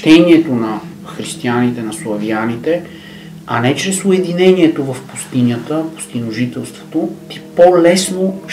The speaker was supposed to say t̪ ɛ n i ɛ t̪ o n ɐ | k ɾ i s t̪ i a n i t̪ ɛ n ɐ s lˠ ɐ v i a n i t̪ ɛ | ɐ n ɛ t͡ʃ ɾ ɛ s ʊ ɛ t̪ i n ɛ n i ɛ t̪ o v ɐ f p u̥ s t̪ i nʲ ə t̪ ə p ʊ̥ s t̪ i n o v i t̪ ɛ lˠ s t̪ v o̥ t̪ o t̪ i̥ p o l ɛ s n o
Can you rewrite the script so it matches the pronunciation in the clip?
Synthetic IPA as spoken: t̪ ɛ n i ɛ t̪ o n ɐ | x ɾ i s t̪ i a n i t̪ ɛ n ɐ s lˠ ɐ v i a n i t̪ ɛ | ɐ n ɛ t͡ʃ ɾ ɛ s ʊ ɛ d̪ i n ɛ n i ɛ t̪ o v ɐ f p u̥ s t̪ i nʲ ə t̪ ə p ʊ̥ s t̪ i n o ʒ i t̪ ɛ lˠ s t̪ v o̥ t̪ o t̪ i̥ p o l ɛ s n o